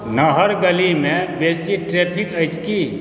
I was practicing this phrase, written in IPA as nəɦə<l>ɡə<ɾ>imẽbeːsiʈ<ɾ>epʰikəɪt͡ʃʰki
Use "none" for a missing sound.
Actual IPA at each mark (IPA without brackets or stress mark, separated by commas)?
ɾ, l, ɾ